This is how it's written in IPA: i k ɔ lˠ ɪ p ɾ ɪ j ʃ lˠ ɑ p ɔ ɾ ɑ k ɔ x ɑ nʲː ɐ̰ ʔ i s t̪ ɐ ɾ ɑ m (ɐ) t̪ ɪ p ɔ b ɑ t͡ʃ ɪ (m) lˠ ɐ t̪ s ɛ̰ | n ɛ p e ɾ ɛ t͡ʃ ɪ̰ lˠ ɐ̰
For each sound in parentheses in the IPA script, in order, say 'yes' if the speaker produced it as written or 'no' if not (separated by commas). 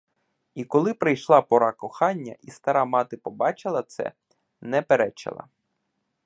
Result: no, no